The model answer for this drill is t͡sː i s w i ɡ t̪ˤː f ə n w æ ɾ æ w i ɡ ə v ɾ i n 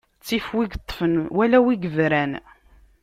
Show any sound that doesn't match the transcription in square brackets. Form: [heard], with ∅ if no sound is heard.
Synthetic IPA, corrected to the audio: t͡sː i [f] w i ɡ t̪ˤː f ə n w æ [l] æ w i ɡ ə v ɾ [æ] n